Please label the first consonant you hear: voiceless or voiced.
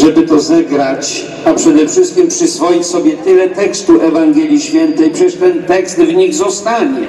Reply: voiced